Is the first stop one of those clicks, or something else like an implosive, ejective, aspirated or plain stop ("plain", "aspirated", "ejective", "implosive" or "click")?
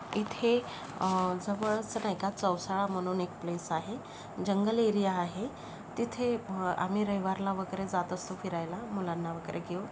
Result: aspirated